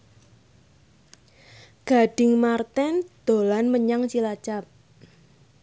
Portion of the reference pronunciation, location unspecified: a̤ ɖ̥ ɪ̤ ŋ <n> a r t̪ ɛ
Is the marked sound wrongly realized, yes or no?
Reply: yes